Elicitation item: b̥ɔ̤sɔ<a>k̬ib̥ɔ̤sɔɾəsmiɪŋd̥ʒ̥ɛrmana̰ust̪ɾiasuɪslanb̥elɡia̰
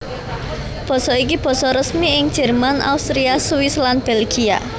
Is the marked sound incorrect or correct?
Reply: incorrect